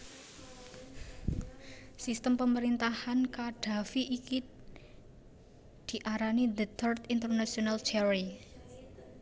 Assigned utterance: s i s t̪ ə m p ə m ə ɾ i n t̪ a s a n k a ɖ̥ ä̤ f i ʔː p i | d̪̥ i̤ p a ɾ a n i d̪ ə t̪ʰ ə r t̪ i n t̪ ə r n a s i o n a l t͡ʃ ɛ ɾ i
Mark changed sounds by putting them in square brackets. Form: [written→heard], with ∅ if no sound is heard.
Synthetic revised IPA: s i s t̪ ə m p ə m ə ɾ i n t̪ a [s→h] a n k a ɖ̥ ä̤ f i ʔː [p→k] i | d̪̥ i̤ [p→ʔ] a ɾ a n i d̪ ə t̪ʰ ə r t̪ i n t̪ ə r n a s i o n a l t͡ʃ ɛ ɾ i